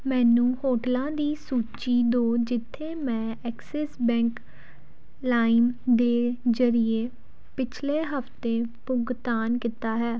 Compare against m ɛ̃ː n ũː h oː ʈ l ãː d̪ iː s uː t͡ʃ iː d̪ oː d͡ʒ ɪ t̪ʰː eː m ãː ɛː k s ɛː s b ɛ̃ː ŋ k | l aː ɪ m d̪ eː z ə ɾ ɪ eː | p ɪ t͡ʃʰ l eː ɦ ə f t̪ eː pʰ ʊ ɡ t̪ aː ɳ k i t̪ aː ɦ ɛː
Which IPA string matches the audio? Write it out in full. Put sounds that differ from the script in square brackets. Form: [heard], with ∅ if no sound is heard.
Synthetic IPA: m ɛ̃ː n ũː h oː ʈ l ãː d̪ iː s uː t͡ʃ iː d̪ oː d͡ʒ ɪ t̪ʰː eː m [ɛ̃ː] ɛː k s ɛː s b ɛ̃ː ŋ k | l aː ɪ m d̪ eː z ə ɾ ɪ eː | p ɪ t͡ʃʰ l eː ɦ ə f t̪ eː [p] ʊ ɡ t̪ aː [n] k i t̪ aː ɦ ɛː